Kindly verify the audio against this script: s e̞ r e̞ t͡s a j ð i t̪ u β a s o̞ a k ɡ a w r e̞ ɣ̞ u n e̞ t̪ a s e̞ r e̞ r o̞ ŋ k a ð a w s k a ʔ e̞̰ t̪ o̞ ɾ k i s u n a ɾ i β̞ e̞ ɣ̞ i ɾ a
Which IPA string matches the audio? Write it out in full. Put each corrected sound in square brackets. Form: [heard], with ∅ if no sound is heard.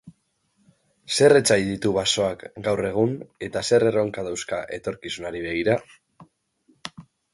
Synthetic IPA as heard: s e̞ r e̞ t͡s a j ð i t̪ u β a s o̞ a k ɡ a w r e̞ ɣ̞ u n e̞ t̪ a s e̞ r e̞ r o̞ ŋ k a ð a w s k a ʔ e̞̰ t̪ o̞ ɾ k i s u n a ɾ i β̞ e̞ ɣ̞ i ɾ a